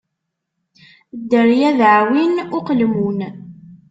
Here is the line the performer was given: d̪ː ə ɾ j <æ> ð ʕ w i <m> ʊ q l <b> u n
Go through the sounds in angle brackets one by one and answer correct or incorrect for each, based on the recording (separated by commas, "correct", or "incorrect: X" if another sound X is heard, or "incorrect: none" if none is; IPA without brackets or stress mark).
correct, incorrect: n, incorrect: m